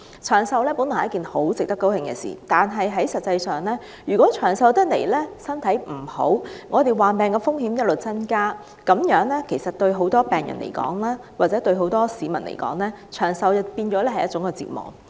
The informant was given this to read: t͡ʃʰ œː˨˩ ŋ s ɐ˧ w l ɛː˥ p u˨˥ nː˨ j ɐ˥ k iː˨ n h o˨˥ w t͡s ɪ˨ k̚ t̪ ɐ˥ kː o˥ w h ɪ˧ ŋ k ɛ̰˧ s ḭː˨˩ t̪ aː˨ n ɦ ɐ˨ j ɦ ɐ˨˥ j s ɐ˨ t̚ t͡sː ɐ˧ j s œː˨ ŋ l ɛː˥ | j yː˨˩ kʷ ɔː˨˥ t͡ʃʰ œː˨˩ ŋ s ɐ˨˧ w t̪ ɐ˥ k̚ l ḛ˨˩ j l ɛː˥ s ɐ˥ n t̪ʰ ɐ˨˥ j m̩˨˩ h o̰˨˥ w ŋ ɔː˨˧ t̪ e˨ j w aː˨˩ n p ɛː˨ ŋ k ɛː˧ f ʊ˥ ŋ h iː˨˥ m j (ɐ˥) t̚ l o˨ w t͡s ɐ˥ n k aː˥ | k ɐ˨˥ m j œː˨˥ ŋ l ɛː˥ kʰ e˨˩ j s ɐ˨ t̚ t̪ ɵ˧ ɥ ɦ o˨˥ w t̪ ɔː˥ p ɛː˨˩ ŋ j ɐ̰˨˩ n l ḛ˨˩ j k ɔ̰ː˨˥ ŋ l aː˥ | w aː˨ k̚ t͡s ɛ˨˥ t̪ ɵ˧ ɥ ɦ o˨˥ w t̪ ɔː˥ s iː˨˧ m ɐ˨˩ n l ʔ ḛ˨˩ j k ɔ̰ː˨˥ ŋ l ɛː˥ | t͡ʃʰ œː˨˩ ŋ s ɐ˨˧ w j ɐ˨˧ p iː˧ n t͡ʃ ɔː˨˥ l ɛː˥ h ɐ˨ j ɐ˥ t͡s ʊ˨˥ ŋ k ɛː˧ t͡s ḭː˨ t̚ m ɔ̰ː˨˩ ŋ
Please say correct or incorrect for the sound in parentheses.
correct